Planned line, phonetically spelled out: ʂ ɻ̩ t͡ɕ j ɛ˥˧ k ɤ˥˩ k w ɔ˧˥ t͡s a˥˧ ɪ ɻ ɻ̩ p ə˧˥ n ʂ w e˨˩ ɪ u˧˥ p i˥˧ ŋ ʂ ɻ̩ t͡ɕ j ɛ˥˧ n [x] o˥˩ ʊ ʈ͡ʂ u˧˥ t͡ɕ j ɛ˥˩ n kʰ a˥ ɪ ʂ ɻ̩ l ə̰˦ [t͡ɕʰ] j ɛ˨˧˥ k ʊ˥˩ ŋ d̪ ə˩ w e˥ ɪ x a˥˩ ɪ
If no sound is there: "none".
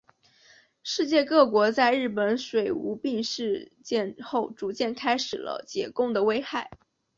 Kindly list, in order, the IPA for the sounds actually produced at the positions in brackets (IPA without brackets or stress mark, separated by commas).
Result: x, t͡ɕ